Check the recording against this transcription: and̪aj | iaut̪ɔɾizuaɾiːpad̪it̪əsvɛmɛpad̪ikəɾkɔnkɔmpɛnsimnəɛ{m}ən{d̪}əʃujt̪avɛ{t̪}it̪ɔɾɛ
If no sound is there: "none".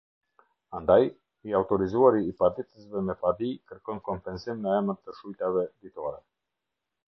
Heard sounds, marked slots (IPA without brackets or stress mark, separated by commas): m, t̪, d̪